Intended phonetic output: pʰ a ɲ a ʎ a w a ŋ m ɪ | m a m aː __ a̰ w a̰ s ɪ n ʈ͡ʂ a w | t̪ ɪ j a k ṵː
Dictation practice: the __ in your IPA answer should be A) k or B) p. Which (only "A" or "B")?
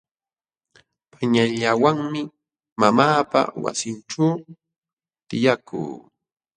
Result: B